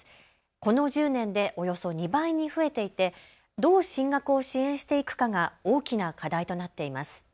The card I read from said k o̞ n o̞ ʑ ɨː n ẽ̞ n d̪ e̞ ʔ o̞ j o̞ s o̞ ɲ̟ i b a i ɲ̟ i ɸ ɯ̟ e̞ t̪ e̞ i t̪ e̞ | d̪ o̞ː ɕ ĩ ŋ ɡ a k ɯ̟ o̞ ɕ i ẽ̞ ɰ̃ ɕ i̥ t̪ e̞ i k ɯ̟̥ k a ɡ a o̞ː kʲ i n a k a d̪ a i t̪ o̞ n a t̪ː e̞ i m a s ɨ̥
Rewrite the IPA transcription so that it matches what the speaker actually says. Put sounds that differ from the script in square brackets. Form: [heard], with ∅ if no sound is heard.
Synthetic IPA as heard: k o̞ n o̞ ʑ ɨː n ẽ̞ n d̪ e̞ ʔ o̞ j o̞ s o̞ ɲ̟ i b a i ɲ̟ i ɸ ɯ̟ e̞ t̪ e̞ i t̪ e̞ | d̪ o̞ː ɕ ĩ ŋ ɡ a k ɯ̟ o̞ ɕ i ẽ̞ ɰ̃ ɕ i̥ t̪ e̞ i k ɯ̟̥ k a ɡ a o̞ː kʲ i n a k a d̪ a i t̪ o̞ n a t̪ː e̞ i m a s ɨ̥